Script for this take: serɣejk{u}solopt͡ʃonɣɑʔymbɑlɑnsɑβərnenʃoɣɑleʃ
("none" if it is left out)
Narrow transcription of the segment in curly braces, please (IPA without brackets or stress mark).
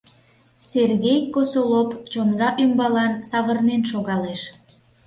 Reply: o